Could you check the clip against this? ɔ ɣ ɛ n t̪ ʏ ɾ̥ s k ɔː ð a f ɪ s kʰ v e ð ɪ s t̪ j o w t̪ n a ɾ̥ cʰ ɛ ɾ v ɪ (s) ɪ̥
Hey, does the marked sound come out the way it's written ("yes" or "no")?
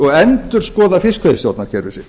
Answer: yes